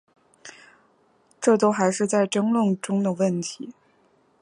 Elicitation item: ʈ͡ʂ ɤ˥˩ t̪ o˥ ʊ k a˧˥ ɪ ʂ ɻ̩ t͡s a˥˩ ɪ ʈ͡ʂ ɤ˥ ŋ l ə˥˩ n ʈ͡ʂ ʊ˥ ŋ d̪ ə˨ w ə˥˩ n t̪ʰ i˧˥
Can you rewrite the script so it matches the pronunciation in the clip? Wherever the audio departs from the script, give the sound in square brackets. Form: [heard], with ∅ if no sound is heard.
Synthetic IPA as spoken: ʈ͡ʂ ɤ˥˩ t̪ o˥ ʊ [x] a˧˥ ɪ ʂ ɻ̩ t͡s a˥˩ ɪ ʈ͡ʂ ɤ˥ ŋ l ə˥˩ [ŋ] ʈ͡ʂ ʊ˥ ŋ d̪ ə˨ w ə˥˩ n t̪ʰ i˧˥